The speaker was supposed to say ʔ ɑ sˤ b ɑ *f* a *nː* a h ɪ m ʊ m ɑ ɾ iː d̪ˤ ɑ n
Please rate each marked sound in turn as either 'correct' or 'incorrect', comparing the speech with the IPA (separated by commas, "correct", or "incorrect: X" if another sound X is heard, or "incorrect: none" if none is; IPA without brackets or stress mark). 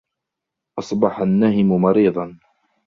incorrect: ħ, correct